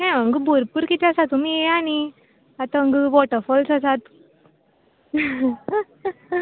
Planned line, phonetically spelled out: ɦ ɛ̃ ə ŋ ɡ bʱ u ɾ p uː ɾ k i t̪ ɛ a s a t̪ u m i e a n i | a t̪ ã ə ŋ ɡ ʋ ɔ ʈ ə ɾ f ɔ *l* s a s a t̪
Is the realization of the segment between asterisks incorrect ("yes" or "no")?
no